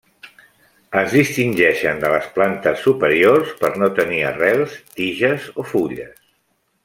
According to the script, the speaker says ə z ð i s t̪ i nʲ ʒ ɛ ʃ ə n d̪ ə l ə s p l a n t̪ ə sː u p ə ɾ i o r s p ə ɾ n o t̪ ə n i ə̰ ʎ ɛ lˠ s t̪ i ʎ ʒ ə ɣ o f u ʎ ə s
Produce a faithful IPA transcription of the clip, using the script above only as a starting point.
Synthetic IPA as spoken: ə z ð i s t̪ i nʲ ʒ ɛ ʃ ə n d̪ ə l ə s p l a n t̪ ə sː u p ə ɾ i o r s p ə ɾ n o t̪ ə n i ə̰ r ɛ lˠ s t̪ i ʒ ə z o f u ʎ ə s